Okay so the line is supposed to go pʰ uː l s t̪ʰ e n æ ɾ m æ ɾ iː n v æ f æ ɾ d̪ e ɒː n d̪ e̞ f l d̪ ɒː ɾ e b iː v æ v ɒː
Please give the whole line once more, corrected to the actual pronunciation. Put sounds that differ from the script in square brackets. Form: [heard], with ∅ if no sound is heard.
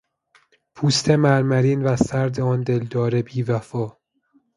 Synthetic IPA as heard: pʰ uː [∅] s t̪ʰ e [m] æ ɾ m æ ɾ iː n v æ [s] æ ɾ d̪ e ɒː n d̪ e̞ [∅] l d̪ ɒː ɾ e b iː v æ [f] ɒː